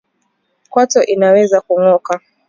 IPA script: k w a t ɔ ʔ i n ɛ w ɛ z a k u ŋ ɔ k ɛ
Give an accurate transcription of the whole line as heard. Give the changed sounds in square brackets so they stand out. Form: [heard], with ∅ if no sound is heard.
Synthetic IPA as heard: k w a t ɔ ʔ i n [a] w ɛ z a k u ŋ ɔ k [a]